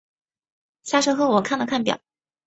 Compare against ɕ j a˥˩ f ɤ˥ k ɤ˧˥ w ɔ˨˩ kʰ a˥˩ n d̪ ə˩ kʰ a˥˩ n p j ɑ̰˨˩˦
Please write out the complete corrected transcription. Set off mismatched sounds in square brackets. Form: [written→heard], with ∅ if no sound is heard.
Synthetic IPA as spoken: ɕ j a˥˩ [f→ʂ] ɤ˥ [k→x] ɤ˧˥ w ɔ˨˩ kʰ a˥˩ n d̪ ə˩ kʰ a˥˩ n p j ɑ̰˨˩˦